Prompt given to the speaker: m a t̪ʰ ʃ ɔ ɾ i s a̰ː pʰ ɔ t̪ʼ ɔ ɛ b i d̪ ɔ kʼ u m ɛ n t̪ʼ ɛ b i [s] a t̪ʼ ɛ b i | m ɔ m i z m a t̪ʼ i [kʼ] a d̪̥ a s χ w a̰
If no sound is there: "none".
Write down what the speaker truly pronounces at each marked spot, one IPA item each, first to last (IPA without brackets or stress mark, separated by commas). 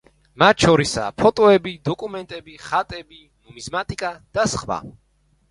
χ, kʼ